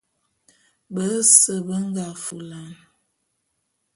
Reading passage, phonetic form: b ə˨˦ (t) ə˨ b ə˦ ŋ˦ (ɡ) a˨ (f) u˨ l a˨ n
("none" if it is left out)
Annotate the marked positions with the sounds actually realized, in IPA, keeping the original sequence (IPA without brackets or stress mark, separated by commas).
s, ɡ, f